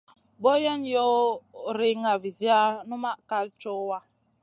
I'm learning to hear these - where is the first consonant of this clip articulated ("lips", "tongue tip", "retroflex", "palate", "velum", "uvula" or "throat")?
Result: lips